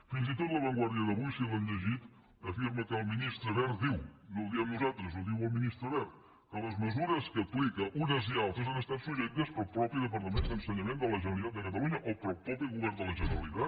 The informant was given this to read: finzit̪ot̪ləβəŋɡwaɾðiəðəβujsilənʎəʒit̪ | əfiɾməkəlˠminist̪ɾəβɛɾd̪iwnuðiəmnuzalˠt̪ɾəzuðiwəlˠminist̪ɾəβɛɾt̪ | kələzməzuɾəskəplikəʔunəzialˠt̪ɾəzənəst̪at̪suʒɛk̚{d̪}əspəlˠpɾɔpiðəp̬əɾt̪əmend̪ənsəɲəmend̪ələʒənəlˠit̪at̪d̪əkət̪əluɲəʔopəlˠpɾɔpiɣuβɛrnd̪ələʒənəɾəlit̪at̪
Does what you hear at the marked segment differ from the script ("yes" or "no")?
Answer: yes